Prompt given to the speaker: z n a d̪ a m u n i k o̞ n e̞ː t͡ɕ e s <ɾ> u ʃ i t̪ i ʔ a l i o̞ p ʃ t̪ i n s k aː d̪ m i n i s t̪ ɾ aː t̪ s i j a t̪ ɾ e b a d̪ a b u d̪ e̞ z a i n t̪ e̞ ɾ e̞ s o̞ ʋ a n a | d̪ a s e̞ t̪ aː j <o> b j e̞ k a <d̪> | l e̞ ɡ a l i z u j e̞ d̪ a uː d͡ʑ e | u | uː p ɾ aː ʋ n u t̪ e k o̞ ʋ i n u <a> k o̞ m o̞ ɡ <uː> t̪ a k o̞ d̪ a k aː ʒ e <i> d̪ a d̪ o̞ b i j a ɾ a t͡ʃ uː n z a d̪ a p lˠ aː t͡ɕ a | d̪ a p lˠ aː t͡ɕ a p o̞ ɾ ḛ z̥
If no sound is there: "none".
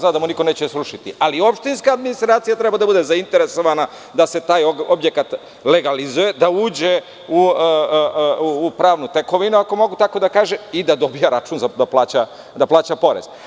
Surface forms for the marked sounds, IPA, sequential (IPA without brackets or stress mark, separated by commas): ɾ, o, t̪, a, u, i